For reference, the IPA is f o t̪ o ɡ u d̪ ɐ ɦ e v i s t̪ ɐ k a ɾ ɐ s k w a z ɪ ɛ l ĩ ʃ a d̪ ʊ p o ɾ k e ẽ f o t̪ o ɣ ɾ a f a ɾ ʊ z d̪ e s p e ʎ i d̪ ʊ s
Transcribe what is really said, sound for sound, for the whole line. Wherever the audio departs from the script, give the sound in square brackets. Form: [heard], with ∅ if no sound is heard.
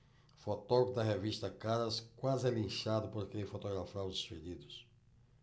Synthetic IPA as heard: f o t̪ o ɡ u d̪ ɐ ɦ e v i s t̪ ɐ k a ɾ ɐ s k w a z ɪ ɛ l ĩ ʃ a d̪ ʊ p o ɾ k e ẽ f o t̪ o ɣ ɾ a f a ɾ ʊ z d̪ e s p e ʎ i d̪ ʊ s